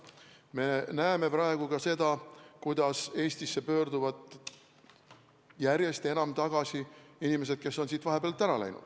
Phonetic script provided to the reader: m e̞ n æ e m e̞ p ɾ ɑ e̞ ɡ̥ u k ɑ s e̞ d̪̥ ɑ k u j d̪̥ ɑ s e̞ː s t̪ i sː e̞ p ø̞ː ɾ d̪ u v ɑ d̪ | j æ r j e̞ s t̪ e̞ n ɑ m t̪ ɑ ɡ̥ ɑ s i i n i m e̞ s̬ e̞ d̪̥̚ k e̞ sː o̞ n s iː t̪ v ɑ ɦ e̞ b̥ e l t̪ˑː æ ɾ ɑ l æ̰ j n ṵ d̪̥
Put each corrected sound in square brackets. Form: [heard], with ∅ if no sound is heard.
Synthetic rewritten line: m e̞ n æ e m e̞ p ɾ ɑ e̞ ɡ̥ u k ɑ s e̞ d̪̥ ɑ k u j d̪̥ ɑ s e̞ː s t̪ i sː e̞ p ø̞ː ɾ d̪ u v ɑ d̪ | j æ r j e̞ s t̪ e̞ n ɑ m t̪ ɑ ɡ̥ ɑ s i i n i m e̞ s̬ e̞ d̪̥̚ k e̞ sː o̞ n s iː t̪ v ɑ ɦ e̞ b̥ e l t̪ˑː æ ɾ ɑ l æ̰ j n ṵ d̪̥